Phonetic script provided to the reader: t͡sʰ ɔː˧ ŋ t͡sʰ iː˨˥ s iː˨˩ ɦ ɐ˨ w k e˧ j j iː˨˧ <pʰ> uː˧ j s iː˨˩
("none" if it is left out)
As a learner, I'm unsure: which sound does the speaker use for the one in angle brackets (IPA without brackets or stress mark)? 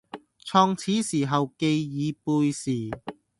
p